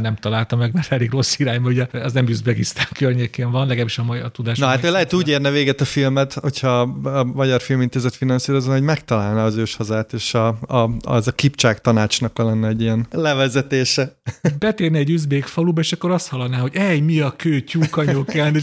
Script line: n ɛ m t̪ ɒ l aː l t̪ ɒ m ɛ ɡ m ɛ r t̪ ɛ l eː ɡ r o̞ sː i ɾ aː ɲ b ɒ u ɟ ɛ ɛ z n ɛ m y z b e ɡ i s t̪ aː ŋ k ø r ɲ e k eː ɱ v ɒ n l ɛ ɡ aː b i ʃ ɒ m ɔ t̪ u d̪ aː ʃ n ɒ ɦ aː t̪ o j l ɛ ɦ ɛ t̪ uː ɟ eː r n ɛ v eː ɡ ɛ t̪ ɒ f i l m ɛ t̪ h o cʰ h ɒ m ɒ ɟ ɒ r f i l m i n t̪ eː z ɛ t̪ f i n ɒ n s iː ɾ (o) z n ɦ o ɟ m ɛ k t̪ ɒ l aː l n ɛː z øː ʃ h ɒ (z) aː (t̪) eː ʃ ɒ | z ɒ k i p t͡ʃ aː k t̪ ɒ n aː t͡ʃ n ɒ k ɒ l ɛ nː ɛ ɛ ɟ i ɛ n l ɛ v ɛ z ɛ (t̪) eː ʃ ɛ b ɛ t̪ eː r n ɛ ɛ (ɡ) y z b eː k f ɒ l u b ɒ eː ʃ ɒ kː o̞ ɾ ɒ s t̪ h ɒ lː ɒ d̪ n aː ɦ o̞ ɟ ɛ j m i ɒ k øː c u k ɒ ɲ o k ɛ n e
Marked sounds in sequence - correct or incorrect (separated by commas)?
correct, correct, correct, correct, incorrect